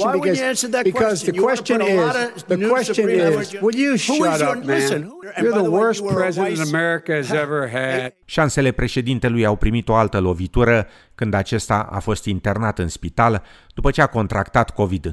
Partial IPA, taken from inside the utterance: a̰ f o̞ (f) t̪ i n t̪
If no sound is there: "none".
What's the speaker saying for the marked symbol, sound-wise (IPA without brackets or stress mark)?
s